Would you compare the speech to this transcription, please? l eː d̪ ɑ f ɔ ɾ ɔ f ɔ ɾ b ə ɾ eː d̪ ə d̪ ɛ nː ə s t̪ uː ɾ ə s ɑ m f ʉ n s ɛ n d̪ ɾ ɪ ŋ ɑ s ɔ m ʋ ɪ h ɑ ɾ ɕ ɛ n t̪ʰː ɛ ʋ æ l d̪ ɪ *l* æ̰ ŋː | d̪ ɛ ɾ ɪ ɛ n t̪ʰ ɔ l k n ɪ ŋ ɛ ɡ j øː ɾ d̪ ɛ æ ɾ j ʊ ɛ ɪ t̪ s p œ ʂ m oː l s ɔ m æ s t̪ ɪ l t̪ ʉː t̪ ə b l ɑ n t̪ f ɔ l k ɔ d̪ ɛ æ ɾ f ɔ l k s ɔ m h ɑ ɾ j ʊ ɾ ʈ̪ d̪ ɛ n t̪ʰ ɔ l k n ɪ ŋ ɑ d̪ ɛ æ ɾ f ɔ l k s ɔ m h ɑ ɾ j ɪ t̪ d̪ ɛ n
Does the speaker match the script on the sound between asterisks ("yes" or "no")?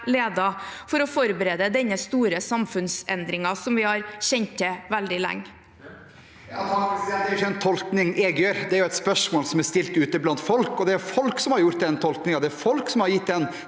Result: yes